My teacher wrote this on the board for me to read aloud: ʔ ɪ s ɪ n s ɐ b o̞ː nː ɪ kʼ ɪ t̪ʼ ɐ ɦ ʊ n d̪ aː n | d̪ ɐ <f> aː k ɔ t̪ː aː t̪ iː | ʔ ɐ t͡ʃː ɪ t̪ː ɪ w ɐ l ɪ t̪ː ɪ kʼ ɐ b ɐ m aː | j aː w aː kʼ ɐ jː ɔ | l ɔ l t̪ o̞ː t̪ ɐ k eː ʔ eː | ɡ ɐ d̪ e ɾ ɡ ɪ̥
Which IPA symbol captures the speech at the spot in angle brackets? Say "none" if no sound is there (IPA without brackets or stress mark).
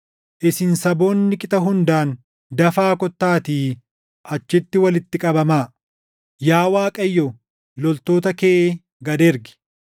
f